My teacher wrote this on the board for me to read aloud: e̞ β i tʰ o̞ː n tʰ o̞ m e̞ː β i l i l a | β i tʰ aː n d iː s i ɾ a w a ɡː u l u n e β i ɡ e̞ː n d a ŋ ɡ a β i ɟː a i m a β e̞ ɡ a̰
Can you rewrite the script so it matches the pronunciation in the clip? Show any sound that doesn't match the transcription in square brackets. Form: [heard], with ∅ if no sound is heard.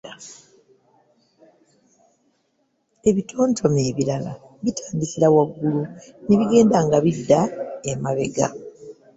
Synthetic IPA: e̞ β i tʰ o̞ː n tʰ o̞ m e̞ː β i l [a] l a | β i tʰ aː n d [i] s i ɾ a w a ɡː u l u n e β i ɡ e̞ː n d a ŋ ɡ a β i [dː] a [e] m a β e̞ ɡ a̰